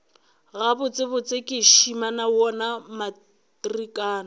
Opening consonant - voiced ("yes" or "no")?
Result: yes